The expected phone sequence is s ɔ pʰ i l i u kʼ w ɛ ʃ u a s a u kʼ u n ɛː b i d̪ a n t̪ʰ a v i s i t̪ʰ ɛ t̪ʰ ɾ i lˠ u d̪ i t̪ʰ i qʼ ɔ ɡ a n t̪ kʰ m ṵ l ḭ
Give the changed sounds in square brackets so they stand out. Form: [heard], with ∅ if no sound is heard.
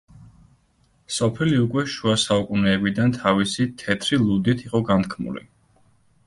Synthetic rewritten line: s ɔ pʰ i l i u kʼ w ɛ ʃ u a s a u kʼ u n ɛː b i d̪ a n t̪ʰ a v i s i t̪ʰ ɛ t̪ʰ ɾ i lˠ u d̪ i t̪ʰ i qʼ ɔ ɡ a n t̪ kʰ m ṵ l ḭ